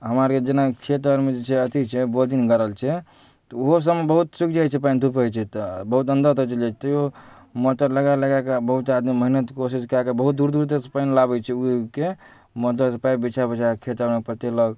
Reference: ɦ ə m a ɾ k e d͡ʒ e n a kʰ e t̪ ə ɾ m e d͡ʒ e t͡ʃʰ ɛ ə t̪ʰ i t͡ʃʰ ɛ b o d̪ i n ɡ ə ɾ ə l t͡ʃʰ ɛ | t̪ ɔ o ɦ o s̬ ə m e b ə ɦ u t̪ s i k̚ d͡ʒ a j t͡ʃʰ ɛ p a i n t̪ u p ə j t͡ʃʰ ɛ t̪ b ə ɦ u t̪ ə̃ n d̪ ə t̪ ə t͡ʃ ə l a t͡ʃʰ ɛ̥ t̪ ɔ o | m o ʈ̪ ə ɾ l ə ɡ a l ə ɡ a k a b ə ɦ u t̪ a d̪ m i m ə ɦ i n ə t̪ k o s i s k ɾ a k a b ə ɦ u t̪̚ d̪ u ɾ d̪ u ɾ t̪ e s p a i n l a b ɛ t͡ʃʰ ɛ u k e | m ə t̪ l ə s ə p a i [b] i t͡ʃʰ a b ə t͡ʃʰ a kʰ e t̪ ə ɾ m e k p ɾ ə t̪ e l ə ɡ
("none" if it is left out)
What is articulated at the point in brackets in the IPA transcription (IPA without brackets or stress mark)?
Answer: b